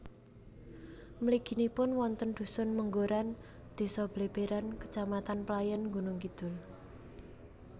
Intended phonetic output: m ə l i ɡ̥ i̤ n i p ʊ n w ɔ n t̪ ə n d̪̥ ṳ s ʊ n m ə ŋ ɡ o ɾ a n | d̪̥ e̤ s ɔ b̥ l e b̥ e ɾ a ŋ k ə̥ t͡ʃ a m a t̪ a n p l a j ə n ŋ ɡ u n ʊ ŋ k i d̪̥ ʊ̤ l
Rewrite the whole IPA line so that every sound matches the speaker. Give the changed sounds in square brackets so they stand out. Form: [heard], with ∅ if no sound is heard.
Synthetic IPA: m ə l i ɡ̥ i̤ n i p ʊ n w ɔ n t̪ ə n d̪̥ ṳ s ʊ n m ə ŋ ɡ o ɾ a n | d̪̥ e̤ s ɔ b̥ l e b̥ e ɾ a [n] k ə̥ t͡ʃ a m a t̪ a n p l a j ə n ŋ ɡ u n ʊ ŋ k i d̪̥ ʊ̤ l